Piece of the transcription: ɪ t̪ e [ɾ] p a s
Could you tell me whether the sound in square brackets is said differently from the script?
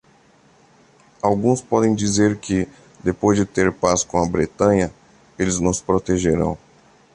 no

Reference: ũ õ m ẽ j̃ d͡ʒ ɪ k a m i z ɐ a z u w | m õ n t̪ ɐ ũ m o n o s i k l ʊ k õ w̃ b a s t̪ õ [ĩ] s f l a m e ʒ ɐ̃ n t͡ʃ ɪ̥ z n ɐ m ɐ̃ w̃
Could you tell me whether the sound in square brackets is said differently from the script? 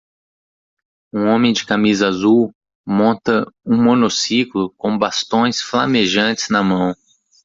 yes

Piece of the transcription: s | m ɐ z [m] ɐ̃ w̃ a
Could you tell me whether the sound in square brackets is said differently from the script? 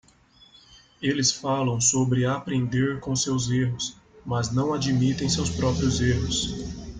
yes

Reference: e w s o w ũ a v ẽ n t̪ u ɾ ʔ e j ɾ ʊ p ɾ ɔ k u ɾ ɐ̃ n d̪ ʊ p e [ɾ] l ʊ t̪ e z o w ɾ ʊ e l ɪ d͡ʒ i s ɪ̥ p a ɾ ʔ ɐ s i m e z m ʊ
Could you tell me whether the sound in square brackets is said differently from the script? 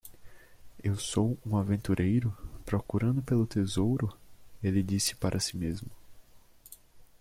yes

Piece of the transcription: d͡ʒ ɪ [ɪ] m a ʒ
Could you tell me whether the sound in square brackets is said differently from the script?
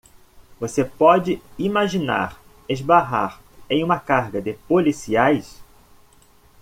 yes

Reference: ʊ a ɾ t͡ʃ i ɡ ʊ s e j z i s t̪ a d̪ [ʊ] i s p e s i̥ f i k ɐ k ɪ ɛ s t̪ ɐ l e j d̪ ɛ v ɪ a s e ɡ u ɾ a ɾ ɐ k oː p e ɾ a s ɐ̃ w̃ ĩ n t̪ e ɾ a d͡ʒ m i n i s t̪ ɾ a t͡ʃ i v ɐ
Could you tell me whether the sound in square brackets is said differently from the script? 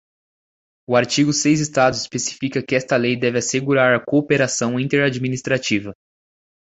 no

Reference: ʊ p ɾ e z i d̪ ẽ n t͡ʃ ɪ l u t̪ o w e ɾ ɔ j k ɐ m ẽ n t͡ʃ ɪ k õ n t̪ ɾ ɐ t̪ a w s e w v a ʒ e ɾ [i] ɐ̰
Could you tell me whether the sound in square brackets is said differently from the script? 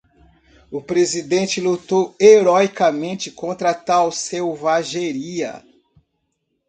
no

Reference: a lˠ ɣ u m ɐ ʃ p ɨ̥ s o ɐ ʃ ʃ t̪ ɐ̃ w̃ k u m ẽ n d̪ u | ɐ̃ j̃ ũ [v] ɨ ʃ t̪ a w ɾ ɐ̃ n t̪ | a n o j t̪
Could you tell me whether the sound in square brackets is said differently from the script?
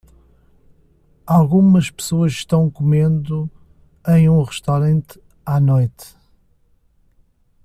yes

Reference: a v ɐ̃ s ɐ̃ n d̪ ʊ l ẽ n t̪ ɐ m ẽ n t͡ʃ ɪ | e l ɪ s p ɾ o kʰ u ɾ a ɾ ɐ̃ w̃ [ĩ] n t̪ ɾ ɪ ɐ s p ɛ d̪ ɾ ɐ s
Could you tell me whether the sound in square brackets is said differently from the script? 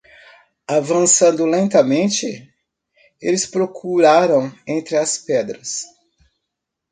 yes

